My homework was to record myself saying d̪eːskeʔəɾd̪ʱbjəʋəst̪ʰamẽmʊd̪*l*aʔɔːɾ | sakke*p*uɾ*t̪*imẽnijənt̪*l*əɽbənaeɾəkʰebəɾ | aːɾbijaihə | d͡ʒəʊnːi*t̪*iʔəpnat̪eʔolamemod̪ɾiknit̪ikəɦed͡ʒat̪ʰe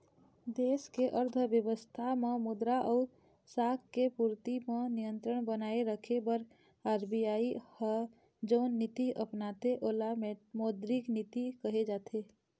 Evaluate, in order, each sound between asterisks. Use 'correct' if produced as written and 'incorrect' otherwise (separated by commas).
incorrect, correct, correct, incorrect, correct